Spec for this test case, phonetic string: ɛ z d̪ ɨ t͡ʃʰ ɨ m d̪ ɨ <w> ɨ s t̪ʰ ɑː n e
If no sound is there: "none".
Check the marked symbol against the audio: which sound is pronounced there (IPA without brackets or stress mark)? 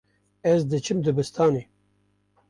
b